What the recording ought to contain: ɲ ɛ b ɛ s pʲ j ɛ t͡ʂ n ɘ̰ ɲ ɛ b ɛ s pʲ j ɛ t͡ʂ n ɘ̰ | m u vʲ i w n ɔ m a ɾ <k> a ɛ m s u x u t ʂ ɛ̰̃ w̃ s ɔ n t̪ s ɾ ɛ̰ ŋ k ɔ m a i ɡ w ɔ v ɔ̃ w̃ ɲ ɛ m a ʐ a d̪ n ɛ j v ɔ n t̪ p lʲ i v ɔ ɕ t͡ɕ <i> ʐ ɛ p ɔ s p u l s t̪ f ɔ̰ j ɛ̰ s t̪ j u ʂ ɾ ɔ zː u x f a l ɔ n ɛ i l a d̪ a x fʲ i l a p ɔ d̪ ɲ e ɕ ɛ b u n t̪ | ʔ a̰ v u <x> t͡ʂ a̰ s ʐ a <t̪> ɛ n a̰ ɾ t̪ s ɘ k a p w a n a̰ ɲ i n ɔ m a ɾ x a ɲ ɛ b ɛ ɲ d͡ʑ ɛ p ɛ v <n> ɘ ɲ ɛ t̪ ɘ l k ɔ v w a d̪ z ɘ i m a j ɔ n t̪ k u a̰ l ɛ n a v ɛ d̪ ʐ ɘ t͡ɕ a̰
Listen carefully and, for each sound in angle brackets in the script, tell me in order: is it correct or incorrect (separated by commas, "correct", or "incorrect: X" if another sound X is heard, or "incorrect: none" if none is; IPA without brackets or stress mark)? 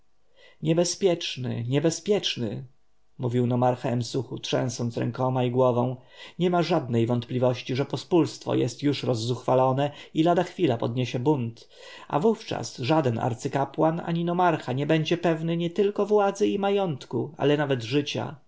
incorrect: x, correct, incorrect: f, incorrect: d̪, correct